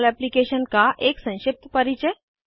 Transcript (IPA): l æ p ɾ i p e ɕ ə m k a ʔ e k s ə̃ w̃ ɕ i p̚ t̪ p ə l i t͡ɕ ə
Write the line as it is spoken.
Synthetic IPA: l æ p l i k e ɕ ə n k a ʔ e k s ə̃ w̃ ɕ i p̚ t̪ p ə ɾ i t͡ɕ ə

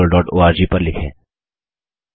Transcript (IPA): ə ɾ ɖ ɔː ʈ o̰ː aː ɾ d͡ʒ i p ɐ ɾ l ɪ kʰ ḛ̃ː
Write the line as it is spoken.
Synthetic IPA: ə l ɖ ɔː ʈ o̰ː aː ɾ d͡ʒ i p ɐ ɾ l ɪ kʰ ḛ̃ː

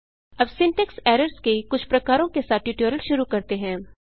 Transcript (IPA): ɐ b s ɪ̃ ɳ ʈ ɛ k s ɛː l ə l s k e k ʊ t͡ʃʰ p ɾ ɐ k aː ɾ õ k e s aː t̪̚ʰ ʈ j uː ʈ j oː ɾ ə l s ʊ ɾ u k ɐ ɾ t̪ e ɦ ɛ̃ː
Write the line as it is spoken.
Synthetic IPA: ɐ b s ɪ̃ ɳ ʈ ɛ k s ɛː ɾ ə ɾ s k e k ʊ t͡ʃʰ p ɾ ɐ k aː ɾ õ k e s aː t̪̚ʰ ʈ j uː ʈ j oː ɾ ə l ʃ ʊ ɾ u k ɐ ɾ t̪ e ɦ ɛ̃ː

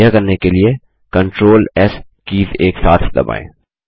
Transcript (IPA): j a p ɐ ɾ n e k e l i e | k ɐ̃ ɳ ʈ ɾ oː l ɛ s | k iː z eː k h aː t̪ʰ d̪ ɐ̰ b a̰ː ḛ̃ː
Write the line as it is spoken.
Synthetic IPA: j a k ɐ ɾ n e k e l i e | k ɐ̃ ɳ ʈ ɾ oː l ɛ s | k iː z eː k s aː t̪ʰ d̪ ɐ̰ b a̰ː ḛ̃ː

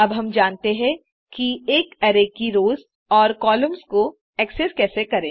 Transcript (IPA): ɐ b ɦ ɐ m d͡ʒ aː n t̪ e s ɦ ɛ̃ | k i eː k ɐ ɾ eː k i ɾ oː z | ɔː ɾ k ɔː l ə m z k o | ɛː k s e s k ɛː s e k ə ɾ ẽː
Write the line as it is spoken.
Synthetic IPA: ɐ b ɦ ɐ m d͡ʒ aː n t̪ e ɦ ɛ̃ | k i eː k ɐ ɾ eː k i ɾ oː z | ɔː ɾ k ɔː l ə m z k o | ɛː k s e s k ɛː s e k ɐ ɾ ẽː

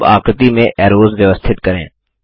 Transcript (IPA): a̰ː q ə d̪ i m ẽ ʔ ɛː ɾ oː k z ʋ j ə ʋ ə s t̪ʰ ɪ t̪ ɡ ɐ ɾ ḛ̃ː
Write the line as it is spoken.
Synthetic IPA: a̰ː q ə t̪ i m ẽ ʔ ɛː ɾ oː z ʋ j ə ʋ ə s t̪ʰ ɪ t̪ k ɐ ɾ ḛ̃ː

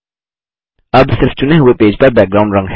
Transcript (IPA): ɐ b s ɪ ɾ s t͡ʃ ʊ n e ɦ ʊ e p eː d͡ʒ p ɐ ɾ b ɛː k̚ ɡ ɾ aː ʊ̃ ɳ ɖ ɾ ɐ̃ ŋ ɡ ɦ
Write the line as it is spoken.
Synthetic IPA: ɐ b s ɪ ɾ f t͡ʃ ʊ n e ɦ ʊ e p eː d͡ʒ p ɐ ɾ b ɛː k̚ ɡ ɾ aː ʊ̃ ɳ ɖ ɾ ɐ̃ ŋ ɡ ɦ

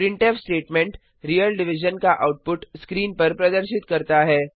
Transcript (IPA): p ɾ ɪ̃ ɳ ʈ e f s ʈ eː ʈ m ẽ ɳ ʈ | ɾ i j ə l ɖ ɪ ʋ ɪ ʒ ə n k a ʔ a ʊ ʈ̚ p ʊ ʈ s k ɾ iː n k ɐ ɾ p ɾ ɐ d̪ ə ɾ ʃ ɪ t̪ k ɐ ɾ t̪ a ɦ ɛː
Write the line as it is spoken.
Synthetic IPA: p ɾ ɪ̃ ɳ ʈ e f s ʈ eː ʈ m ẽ ɳ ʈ | ɾ i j ə l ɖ ɪ ʋ ɪ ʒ ə n k a ʔ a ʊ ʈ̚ p ʊ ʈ s k ɾ iː n p ɐ ɾ p ɾ ɐ d̪ ə ɾ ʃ ɪ t̪ k ɐ ɾ t̪ a ɦ ɛː

